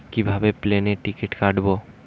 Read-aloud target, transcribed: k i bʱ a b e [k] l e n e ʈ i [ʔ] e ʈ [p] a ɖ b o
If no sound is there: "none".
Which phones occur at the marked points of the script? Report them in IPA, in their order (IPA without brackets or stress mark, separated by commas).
p, k, k